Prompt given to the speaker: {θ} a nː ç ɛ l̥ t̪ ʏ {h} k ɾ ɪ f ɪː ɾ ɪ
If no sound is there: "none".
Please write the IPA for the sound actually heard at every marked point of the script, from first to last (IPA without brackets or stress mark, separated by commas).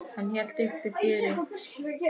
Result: h, h